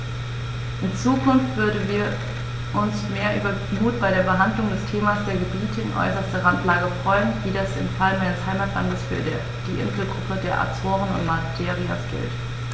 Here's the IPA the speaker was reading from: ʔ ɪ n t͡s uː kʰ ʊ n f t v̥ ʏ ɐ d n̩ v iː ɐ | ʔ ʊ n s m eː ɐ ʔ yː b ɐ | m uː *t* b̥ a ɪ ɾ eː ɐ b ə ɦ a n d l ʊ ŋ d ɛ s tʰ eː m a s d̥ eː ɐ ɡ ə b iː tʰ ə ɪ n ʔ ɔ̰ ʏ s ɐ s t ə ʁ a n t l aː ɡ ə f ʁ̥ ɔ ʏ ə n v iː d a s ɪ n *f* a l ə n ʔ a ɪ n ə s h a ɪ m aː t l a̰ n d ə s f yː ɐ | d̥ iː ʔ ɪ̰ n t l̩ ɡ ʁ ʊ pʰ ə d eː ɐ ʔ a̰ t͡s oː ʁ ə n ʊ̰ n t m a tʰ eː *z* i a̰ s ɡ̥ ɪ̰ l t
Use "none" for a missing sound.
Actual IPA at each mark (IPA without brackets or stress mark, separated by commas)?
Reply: t, f, ʁ